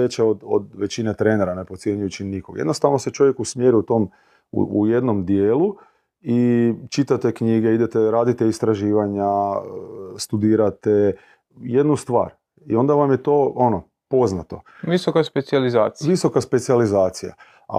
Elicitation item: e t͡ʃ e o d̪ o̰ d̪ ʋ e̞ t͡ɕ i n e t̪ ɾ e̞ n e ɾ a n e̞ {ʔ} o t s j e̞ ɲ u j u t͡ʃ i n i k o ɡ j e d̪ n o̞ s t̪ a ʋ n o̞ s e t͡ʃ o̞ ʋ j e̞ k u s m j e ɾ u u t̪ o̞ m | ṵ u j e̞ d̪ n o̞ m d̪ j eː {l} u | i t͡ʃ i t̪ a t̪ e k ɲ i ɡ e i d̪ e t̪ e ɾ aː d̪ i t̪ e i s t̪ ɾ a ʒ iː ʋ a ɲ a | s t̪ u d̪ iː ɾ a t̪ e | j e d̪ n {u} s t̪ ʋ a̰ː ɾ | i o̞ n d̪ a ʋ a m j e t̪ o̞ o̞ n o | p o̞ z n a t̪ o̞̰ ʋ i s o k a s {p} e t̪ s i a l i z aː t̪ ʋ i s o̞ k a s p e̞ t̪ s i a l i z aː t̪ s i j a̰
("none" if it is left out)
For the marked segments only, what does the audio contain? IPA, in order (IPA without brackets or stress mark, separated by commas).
p, l, u, p